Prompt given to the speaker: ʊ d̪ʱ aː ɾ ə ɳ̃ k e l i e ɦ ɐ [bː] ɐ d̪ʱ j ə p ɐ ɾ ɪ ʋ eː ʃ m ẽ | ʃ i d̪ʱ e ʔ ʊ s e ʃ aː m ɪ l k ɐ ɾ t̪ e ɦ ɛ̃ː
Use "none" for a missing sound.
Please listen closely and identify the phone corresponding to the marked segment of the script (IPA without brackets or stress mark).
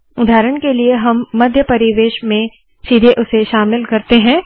mː